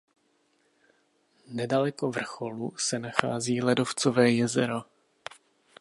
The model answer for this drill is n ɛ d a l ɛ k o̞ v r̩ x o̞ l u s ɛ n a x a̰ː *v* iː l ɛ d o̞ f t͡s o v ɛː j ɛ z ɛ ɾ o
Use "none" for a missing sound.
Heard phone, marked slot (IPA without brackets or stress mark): z